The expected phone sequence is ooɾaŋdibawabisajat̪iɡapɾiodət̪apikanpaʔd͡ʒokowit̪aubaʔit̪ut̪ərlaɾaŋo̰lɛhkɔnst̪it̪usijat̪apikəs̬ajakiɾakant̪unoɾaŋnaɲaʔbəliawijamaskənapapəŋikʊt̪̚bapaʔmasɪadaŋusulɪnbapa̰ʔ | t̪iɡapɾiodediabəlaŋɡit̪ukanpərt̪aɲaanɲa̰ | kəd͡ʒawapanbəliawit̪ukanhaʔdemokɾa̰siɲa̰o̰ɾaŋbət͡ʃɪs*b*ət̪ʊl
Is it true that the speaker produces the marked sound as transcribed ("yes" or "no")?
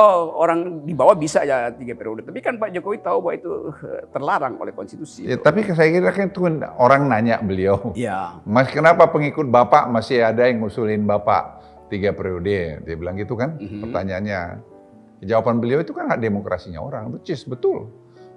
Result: yes